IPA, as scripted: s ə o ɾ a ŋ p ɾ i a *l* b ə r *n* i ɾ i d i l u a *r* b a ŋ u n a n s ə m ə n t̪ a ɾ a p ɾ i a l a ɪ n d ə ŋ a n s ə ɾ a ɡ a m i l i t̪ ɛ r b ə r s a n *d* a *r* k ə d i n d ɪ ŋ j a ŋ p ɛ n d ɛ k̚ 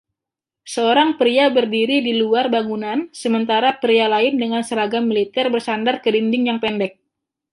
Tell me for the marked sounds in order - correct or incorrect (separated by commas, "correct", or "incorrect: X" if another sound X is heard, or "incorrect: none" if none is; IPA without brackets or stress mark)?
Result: incorrect: none, incorrect: d, correct, correct, correct